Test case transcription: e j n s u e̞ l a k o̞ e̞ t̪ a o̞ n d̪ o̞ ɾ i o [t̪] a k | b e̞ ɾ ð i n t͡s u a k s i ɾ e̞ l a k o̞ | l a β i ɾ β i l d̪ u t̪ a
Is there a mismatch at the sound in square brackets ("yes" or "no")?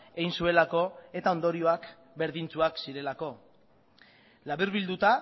yes